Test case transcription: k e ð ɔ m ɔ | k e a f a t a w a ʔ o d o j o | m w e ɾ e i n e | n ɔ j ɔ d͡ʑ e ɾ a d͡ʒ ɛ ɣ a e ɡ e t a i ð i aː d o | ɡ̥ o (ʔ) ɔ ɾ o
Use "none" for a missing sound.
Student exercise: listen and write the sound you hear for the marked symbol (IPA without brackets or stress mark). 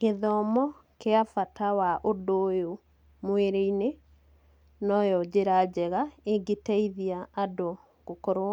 k